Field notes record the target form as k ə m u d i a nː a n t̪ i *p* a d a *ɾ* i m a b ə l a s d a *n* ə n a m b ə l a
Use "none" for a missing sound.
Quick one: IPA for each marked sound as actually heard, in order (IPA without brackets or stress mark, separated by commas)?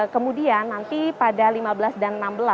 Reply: p, l, n